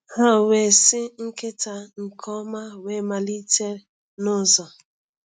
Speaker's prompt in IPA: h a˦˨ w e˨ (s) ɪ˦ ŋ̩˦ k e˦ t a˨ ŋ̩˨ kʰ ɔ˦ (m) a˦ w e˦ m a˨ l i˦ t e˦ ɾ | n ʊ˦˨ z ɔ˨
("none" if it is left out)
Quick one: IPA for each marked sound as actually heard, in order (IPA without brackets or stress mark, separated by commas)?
s, m